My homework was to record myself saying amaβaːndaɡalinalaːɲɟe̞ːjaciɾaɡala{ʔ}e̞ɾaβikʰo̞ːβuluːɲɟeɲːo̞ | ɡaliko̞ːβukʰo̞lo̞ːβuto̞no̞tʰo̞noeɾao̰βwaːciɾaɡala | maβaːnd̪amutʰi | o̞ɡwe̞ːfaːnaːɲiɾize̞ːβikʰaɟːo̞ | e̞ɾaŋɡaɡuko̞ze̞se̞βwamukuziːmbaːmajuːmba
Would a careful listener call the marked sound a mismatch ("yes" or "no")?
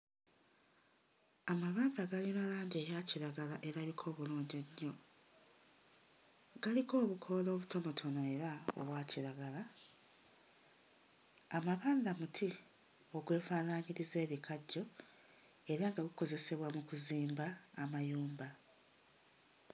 no